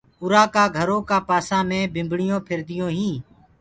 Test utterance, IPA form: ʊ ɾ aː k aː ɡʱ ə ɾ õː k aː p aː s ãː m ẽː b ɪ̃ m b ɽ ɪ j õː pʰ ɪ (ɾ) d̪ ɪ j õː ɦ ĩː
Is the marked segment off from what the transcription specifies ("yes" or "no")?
no